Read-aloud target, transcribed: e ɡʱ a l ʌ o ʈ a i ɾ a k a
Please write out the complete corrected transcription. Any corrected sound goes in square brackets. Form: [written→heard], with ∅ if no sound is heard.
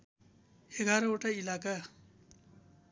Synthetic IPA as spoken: e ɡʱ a [l→ɾ] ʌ o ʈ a i [ɾ→l] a k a